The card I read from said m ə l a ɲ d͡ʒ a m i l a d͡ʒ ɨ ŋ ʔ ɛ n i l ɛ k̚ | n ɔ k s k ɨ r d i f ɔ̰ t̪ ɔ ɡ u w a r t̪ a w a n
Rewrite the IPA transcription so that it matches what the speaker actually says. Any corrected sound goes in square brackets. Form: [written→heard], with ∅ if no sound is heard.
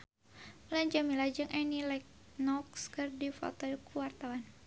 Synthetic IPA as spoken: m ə l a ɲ d͡ʒ a m i l a d͡ʒ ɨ ŋ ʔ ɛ n i l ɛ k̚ | n ɔ k s k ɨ r d i f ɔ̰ t̪ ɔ [ɡ→k] u w a r t̪ a w a n